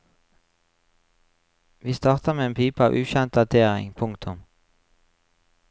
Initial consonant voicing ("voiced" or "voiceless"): voiced